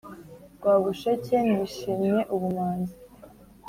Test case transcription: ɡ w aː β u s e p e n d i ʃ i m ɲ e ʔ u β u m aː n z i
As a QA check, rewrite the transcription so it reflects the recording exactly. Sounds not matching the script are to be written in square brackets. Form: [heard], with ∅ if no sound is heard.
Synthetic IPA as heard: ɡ w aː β u [ʃ] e [c] e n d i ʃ i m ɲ e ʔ u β u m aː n z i